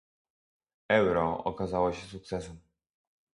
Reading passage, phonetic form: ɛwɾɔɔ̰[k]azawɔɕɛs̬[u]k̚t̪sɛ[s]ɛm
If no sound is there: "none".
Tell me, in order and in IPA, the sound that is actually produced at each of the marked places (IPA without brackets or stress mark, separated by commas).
k, u, s